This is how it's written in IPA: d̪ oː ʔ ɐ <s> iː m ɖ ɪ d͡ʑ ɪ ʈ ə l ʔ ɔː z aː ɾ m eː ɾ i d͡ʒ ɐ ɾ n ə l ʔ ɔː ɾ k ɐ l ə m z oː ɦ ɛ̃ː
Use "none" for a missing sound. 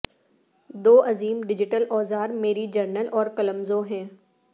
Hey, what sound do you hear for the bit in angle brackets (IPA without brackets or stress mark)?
z